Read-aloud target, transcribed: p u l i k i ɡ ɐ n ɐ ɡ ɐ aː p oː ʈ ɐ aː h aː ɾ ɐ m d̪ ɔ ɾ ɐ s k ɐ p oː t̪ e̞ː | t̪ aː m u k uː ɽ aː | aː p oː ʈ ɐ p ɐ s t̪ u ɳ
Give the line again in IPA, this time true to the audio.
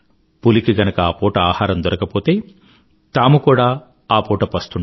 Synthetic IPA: p u l i k i ɡ ɐ n ɐ k ɐ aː p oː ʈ ɐ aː h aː ɾ ɐ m d̪ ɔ ɾ ɐ k ɐ p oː t̪ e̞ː | t̪ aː m u k uː ɽ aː | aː p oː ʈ ɐ p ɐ s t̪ u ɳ